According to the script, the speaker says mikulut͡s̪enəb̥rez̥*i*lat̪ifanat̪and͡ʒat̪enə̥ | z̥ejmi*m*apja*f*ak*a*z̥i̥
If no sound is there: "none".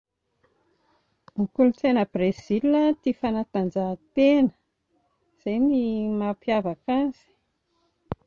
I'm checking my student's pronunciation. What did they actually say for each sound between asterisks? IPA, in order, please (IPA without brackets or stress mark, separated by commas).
i, m, v, a